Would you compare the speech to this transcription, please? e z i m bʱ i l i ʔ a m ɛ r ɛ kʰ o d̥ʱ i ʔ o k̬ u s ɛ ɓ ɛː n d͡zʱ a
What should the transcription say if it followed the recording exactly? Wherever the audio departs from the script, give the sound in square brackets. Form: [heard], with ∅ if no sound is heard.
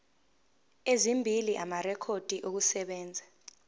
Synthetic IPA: e z i m bʱ i l i ʔ a m [a] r ɛ kʰ o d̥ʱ i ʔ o k̬ u s ɛ ɓ ɛː n d͡zʱ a